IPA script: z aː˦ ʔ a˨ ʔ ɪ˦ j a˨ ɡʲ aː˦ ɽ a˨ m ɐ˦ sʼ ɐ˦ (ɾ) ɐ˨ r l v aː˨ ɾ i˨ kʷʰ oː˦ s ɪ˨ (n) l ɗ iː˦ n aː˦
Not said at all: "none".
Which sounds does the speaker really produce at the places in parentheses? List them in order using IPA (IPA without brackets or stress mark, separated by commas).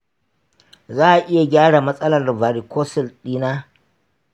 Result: l, none